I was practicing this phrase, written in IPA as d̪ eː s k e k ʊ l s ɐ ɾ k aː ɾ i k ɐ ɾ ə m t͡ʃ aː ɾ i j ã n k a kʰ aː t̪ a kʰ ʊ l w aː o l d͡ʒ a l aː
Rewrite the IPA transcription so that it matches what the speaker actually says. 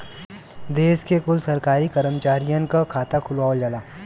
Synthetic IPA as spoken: d̪ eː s k e k ʊ l s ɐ ɾ k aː ɾ i k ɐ ɾ ə m t͡ʃ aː ɾ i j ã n k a kʰ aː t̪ a kʰ ʊ l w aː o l d͡ʒ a l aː